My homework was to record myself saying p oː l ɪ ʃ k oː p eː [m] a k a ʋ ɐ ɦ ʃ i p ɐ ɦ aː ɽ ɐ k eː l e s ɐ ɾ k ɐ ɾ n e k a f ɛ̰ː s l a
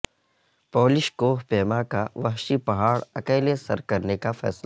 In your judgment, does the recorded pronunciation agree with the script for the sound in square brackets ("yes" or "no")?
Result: yes